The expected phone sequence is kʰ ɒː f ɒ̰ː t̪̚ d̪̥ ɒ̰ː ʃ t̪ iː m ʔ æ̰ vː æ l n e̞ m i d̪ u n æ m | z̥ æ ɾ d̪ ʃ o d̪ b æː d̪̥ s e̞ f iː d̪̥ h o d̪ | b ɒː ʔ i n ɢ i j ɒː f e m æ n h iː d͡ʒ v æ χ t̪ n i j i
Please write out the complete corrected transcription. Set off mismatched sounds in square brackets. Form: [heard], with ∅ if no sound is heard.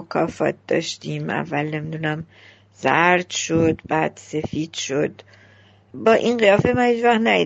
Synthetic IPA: kʰ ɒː f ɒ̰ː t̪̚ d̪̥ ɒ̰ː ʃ t̪ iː m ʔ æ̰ vː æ l n e̞ m i d̪ u n æ m | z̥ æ ɾ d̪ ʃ o d̪ b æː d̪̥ s e̞ f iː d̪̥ [ʃ] o d̪ | b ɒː ʔ i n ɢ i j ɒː f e m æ n h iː d͡ʒ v æ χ t̪ n [æ] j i